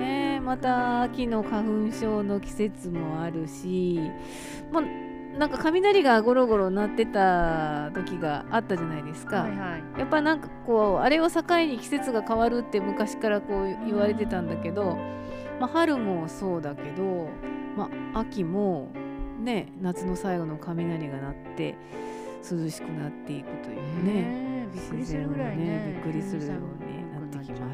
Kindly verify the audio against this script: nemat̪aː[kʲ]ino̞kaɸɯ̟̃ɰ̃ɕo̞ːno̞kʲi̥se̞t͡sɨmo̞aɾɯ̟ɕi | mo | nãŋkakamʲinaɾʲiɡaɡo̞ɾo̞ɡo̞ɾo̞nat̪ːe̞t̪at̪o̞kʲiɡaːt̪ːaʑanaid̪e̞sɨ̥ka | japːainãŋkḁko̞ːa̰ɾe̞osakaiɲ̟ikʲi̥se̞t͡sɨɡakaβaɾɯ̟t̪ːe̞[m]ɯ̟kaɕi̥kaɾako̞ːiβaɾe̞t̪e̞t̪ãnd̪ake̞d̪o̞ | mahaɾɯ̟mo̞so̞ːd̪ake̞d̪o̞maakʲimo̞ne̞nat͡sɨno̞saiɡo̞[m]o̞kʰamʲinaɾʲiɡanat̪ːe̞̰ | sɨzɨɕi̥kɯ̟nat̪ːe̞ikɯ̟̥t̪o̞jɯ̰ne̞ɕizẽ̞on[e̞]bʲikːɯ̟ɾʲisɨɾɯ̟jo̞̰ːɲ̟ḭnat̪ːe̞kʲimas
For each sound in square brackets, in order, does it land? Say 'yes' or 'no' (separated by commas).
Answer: yes, yes, no, yes